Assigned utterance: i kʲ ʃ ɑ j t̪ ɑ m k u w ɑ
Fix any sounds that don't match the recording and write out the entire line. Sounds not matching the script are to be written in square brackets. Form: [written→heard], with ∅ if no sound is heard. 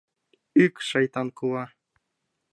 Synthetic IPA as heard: [i→y] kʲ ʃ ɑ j t̪ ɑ [m→n] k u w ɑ